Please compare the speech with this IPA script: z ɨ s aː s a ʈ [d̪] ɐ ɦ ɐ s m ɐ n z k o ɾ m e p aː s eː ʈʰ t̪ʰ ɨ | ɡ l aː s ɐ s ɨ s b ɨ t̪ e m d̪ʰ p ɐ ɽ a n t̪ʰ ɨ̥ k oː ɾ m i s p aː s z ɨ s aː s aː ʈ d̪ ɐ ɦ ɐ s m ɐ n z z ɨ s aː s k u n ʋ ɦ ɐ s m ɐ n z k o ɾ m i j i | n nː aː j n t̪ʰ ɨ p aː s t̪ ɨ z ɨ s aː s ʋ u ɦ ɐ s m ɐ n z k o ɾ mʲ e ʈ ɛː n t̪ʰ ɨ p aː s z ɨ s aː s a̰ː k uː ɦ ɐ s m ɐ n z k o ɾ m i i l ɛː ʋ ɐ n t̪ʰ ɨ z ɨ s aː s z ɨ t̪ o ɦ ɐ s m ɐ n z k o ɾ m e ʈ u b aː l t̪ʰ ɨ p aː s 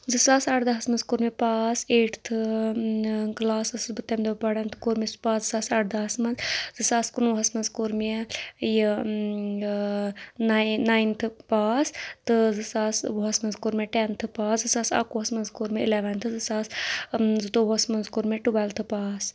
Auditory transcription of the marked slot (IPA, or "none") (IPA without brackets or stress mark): d̪